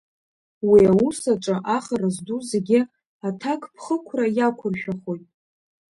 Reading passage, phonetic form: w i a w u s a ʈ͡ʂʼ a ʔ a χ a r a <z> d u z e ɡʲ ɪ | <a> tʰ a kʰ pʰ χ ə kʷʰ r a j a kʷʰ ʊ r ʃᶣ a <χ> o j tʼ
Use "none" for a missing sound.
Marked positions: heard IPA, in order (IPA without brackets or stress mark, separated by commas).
z, a, χ